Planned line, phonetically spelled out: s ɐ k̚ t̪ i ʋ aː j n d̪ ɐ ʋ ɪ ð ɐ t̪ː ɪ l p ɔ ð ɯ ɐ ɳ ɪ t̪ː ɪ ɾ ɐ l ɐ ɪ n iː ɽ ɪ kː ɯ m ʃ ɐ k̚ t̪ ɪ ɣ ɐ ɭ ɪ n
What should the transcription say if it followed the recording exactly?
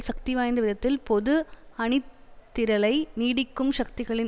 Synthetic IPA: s ɐ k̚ t̪ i ʋ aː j n d̪ ɐ ʋ ɪ ð ɐ t̪ː ɪ l p ɔ ð ɯ ɐ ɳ ɪ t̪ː ɪ ɾ ɐ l ɐ ɪ n iː ɽ ɪ kː ɯ m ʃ ɐ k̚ t̪ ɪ ɣ ɐ ɭ ɪ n